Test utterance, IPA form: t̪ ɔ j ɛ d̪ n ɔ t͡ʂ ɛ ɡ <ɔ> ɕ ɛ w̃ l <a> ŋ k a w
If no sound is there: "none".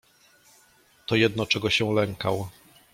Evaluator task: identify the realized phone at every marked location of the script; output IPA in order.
ɔ, ɛ

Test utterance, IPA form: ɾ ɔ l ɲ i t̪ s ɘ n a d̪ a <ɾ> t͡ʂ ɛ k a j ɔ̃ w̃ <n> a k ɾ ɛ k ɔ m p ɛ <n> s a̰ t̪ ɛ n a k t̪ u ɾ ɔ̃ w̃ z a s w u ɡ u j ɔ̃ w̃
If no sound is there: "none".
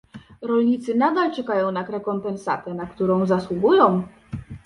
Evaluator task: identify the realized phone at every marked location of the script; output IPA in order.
l, n, n

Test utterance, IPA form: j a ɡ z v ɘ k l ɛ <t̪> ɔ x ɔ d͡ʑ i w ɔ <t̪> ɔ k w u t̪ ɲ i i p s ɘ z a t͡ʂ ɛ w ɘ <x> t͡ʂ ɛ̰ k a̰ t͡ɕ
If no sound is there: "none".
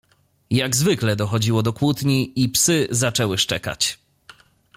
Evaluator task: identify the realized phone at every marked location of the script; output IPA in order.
d̪, d̪, ʂ

